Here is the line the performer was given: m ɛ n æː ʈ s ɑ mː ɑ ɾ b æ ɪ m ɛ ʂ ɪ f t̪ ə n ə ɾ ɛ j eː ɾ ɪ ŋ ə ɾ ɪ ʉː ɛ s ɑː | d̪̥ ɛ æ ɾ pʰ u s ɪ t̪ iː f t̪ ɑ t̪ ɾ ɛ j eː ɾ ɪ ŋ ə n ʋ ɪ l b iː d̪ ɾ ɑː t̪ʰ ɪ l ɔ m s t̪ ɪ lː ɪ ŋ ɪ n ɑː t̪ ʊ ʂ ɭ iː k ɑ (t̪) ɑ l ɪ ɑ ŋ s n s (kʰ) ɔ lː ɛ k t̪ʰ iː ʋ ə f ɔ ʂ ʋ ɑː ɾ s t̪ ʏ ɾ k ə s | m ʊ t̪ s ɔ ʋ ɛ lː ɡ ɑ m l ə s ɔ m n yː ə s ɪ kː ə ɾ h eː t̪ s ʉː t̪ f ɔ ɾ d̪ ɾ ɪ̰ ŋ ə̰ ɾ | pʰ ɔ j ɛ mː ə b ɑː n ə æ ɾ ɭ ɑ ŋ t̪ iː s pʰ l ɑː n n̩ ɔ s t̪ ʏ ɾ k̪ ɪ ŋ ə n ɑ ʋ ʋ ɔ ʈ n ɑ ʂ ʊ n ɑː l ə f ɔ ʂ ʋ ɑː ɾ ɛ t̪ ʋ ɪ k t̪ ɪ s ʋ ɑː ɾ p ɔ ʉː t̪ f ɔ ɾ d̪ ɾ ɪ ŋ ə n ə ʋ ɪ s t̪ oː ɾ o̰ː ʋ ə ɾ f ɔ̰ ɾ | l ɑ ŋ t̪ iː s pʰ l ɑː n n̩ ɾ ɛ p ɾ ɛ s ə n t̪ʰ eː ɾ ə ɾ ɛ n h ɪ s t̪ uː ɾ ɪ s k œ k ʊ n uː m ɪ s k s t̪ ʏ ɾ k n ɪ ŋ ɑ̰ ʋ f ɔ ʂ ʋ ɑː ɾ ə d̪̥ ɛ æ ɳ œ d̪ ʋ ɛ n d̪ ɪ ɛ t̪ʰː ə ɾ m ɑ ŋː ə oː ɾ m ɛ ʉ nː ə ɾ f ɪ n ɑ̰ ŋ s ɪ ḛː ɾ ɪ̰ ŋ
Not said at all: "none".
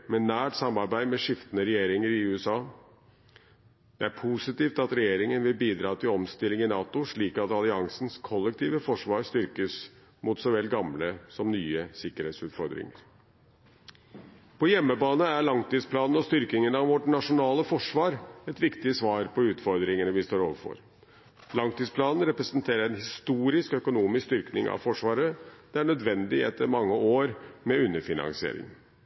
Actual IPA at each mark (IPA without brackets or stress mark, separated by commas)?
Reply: t̪, kʰ